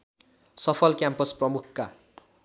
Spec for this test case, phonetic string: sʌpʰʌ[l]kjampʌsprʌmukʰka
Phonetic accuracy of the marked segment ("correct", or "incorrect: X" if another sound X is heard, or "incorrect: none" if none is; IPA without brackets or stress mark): correct